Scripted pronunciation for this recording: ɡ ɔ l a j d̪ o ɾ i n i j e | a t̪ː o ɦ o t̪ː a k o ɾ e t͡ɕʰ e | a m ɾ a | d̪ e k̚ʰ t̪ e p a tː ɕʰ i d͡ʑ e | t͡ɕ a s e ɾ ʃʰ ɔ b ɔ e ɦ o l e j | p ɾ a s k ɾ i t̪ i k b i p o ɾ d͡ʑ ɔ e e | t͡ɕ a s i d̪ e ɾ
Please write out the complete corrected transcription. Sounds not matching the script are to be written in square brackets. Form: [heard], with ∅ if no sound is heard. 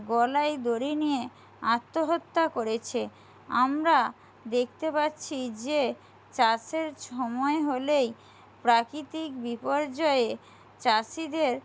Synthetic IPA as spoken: ɡ ɔ l a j d̪ o ɾ i n i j e | a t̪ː o ɦ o t̪ː a k o ɾ e t͡ɕʰ e | a m ɾ a | d̪ e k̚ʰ t̪ e p a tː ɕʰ i d͡ʑ e | t͡ɕ a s e ɾ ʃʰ ɔ [m] ɔ e ɦ o l e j | p ɾ a [∅] k ɾ i t̪ i k b i p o ɾ d͡ʑ ɔ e e | t͡ɕ a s i d̪ e ɾ

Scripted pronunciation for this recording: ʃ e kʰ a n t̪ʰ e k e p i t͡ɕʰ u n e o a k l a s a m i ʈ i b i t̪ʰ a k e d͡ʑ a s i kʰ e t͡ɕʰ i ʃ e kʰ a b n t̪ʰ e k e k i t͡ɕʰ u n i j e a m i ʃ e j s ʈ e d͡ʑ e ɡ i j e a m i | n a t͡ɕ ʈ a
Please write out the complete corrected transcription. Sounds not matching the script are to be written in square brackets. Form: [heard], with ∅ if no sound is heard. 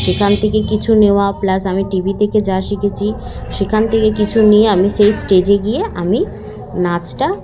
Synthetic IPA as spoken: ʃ e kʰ a n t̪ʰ e k e [k] i t͡ɕʰ u n e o a [p] l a s a m i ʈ i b i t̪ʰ [e] k e d͡ʑ a [ʃ] i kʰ e t͡ɕʰ i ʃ e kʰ a [∅] n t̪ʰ e k e k i t͡ɕʰ u n i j e a m i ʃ e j s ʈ e d͡ʑ e ɡ i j e a m i | n a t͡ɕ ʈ a

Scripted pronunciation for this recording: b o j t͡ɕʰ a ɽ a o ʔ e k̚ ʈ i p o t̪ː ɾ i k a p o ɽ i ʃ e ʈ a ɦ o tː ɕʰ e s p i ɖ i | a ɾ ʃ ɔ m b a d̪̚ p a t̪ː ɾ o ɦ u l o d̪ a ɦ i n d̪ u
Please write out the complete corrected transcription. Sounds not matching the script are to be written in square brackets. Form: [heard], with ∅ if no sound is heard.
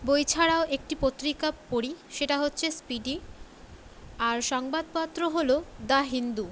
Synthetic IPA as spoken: b o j t͡ɕʰ a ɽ a o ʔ e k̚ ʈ i p o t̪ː ɾ i k a p o ɽ i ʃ e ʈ a ɦ o tː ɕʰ e s p i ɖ i | a ɾ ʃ ɔ [ŋ] b a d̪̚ p a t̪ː ɾ o ɦ [o] l o d̪ a ɦ i n d̪ u

